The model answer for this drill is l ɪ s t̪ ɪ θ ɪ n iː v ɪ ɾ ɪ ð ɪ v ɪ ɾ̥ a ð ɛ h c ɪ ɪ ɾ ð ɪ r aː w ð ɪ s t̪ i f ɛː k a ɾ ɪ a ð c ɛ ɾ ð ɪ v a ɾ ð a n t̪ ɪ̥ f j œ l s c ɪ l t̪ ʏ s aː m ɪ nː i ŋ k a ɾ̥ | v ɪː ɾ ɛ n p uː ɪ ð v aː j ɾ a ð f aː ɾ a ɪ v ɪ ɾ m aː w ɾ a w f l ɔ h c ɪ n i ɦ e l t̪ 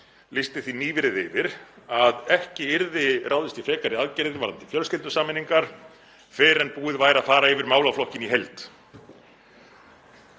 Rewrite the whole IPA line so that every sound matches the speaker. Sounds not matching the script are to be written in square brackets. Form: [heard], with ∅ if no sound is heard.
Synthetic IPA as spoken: l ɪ s t̪ ɪ θ [i] n iː v ɪ ɾ ɪ ð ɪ v ɪ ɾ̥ a ð ɛ h c ɪ ɪ ɾ ð ɪ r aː w ð ɪ s t̪ i f ɛː k a ɾ ɪ a ð c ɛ ɾ ð ɪ v a ɾ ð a n t̪ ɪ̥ f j œ l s c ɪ l t̪ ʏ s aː m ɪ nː i ŋ k a ɾ̥ | [f] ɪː ɾ ɛ n p uː ɪ ð v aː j ɾ a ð f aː ɾ a ɪ v ɪ ɾ m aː w [l] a w f l ɔ h c ɪ n i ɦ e l t̪